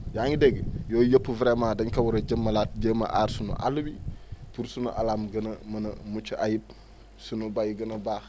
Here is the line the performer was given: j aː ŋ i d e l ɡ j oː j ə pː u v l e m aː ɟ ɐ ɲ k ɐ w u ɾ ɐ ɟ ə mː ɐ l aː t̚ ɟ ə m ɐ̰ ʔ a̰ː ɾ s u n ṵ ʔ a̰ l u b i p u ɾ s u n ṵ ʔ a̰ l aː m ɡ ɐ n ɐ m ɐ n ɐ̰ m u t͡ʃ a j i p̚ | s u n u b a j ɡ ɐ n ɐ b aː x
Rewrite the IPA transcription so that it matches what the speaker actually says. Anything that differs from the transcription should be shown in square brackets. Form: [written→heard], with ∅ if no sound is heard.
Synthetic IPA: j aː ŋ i d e [l→∅] ɡ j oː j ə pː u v [l→ɾ] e m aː [ɟ→d] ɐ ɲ k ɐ w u ɾ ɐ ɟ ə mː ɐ l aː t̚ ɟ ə m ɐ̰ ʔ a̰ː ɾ s u n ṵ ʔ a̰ l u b i p u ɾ s u n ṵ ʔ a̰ l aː m ɡ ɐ n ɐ m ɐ n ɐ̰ m u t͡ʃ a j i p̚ | s u n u b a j ɡ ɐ n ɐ b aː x